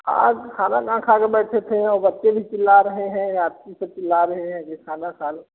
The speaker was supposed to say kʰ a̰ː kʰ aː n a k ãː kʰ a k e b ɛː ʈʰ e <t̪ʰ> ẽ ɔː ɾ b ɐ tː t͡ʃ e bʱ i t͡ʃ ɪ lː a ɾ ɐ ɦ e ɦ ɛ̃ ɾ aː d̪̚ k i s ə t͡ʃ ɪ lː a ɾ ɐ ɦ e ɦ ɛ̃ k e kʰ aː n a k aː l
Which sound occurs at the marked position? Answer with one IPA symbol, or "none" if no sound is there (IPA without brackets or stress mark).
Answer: t̪ʰ